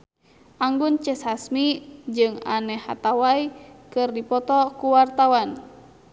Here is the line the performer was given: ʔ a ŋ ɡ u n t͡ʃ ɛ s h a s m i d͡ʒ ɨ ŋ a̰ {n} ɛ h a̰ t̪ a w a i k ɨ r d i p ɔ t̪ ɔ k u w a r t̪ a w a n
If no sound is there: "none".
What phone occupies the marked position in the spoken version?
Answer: n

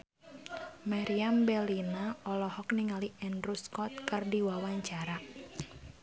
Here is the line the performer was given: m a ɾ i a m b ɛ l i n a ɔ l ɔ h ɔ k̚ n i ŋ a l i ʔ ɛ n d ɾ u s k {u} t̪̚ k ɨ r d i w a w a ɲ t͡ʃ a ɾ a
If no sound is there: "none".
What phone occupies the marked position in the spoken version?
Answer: ɔ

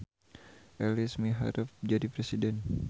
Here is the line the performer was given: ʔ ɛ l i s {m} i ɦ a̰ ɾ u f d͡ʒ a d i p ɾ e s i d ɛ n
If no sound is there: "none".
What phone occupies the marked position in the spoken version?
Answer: m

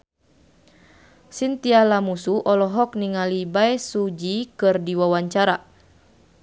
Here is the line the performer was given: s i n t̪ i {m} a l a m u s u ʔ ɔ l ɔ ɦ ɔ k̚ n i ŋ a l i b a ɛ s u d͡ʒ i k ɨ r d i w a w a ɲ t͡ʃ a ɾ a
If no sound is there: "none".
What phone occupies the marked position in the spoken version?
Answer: none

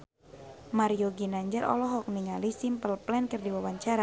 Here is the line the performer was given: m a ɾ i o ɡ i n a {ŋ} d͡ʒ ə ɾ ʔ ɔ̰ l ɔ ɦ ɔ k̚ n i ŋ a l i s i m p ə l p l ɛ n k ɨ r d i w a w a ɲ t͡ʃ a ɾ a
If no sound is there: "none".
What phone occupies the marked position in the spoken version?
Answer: ɲ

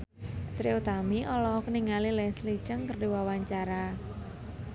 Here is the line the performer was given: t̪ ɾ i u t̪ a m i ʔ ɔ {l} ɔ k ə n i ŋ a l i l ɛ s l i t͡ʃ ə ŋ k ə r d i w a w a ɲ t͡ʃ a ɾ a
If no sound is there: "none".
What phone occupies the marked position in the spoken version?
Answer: l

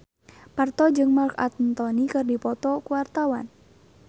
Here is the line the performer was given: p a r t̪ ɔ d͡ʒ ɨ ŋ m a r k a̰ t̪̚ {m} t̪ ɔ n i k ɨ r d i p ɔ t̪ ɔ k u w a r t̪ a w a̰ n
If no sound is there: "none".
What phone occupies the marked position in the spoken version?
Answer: n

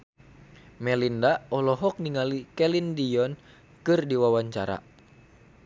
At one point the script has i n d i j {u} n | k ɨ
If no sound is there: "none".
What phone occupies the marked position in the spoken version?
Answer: ɔ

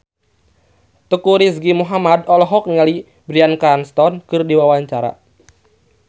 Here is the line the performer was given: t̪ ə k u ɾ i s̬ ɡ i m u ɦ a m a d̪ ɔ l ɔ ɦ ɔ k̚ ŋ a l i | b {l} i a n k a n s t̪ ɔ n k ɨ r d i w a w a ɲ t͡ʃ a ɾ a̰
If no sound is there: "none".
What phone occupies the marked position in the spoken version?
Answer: ɾ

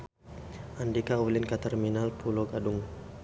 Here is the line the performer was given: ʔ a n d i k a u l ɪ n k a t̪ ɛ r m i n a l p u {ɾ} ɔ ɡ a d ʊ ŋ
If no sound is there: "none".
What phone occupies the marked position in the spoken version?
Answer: l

